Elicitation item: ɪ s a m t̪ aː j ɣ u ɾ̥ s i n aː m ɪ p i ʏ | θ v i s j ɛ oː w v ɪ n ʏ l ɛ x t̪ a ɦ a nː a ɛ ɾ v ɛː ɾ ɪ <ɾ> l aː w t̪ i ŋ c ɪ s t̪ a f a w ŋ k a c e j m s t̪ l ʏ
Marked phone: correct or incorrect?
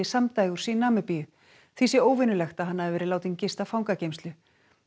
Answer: incorrect: none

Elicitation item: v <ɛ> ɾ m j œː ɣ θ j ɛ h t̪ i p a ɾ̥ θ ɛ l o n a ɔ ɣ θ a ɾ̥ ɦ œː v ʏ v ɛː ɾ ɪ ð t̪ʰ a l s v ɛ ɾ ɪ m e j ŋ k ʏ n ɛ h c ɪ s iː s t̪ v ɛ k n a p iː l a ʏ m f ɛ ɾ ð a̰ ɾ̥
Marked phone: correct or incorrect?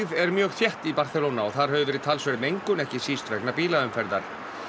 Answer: correct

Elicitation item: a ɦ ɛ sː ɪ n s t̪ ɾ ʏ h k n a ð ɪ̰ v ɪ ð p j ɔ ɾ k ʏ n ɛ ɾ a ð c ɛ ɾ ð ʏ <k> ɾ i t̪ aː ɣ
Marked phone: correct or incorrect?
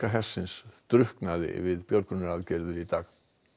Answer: incorrect: none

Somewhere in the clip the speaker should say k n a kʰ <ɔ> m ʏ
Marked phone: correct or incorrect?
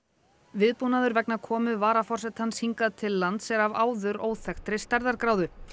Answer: incorrect: ɔː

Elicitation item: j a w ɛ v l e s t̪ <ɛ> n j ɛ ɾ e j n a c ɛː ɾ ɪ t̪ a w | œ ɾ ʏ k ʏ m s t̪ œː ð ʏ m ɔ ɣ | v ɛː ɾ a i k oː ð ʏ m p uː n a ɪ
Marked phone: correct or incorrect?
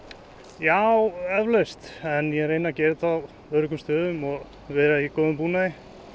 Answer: correct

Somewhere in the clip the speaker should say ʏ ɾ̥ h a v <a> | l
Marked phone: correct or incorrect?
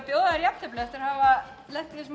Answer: correct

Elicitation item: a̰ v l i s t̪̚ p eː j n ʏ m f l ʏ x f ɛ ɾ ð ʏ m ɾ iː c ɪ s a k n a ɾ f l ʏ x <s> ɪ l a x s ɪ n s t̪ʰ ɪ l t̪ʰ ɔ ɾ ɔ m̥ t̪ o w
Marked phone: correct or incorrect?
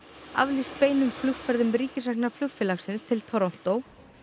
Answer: incorrect: f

